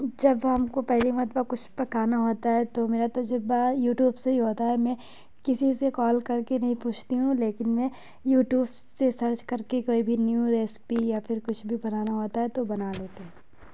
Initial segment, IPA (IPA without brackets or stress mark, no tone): d͡ʒ